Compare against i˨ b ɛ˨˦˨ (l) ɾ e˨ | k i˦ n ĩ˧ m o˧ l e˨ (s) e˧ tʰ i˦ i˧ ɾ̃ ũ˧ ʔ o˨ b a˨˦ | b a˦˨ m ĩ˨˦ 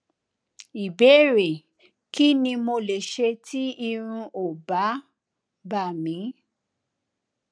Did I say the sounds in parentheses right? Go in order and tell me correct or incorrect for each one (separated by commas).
incorrect, incorrect